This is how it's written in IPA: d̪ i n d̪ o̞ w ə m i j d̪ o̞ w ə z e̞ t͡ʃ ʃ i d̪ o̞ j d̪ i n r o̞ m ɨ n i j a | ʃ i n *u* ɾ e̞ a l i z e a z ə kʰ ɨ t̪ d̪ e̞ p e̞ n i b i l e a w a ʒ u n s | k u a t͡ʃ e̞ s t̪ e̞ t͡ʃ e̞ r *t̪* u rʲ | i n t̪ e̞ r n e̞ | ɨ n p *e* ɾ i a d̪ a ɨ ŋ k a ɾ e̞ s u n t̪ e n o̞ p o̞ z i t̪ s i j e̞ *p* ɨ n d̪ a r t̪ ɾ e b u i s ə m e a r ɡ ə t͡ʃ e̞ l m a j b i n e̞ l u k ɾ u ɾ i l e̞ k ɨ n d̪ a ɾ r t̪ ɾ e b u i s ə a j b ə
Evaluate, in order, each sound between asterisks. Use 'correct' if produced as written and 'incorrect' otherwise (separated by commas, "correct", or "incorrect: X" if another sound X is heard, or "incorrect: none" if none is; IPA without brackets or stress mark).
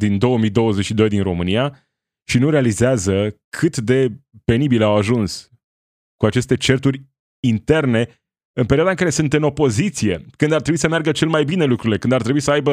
correct, correct, correct, incorrect: k